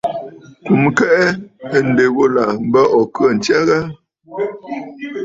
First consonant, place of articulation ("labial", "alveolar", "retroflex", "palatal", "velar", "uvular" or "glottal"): velar